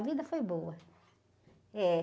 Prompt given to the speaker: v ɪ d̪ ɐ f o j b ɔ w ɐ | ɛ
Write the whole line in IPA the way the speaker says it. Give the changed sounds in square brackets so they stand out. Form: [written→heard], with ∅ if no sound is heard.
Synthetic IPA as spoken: v [ɪ→i] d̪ ɐ f o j b [ɔ→o] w ɐ | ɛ